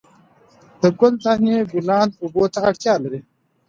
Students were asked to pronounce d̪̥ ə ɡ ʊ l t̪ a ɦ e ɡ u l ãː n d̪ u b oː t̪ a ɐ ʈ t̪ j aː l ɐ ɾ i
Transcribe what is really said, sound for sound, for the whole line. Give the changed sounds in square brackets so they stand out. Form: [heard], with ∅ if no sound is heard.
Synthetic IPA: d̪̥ ə ɡ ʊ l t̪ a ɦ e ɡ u l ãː n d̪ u b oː t̪ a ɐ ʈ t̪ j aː l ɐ ɾ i

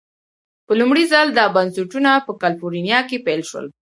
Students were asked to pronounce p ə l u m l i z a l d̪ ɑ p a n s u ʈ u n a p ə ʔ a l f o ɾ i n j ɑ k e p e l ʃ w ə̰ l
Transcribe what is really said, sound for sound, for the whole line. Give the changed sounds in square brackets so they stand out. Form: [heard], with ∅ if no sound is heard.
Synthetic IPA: p ə l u m [ɽ] i z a l d̪ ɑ [b] a n s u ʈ u n a p ə [k] a l f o ɾ i n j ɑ k e p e l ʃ w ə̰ l

